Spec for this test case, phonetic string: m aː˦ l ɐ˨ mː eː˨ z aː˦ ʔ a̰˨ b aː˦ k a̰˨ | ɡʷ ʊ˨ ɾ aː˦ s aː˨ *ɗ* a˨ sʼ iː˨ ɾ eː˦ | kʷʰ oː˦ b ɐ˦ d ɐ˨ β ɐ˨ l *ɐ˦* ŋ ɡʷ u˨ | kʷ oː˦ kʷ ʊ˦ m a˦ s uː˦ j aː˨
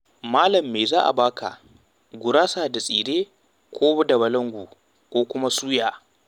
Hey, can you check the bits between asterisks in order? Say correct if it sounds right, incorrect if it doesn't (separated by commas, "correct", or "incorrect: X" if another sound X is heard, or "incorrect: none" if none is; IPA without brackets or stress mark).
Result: incorrect: d, correct